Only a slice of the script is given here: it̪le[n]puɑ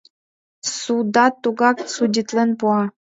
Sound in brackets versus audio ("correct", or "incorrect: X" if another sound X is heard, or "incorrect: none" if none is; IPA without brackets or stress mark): correct